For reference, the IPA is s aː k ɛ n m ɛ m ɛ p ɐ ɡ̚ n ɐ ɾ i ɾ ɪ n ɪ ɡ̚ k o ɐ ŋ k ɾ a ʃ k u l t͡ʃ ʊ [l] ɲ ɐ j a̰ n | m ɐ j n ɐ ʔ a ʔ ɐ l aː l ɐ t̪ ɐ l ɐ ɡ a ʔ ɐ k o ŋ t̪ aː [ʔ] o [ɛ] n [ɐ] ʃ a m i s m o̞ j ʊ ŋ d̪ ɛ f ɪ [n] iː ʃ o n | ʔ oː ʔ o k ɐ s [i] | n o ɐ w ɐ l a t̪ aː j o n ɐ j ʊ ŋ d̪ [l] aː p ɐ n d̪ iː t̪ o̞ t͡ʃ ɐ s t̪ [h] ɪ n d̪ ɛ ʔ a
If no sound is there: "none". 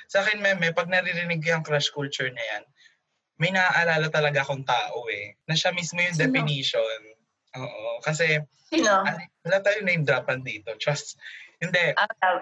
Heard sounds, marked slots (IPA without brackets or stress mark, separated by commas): ɹ, ʔ, ɛ, ɐ, n, ɛ, ɾ, h